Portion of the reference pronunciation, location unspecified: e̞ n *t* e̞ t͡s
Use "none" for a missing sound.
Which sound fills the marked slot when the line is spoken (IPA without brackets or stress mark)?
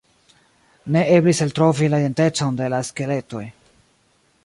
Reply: t